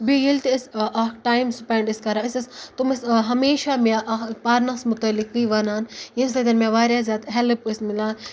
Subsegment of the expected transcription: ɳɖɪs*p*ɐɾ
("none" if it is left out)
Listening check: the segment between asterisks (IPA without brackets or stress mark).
k